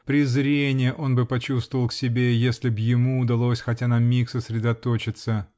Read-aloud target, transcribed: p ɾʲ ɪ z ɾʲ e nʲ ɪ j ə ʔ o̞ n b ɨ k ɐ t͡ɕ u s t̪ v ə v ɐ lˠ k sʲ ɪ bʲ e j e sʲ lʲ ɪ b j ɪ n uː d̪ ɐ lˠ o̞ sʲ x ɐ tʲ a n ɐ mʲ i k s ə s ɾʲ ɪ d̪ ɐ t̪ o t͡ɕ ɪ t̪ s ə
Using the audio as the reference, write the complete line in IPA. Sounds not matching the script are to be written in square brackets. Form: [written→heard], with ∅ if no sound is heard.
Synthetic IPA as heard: p ɾʲ ɪ z ɾʲ e nʲ ɪ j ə ʔ o̞ n b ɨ [k→p] ɐ t͡ɕ u s t̪ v ə v [ɐ→ə] lˠ k sʲ ɪ bʲ e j e sʲ lʲ ɪ b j ɪ [n→m] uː d̪ ɐ lˠ o̞ sʲ x ɐ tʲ a n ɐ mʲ i k s ə s ɾʲ ɪ d̪ ɐ t̪ o t͡ɕ ɪ t̪ s ə